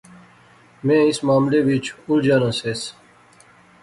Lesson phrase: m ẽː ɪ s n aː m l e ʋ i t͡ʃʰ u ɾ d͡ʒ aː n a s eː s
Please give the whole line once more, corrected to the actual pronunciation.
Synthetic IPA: m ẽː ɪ s m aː m l e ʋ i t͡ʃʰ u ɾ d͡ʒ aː n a s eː s